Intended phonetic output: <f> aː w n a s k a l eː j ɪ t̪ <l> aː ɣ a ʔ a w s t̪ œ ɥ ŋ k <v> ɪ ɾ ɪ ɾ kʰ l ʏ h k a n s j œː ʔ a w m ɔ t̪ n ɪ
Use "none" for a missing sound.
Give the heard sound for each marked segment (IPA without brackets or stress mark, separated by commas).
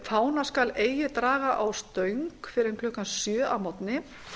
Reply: f, ɾ, f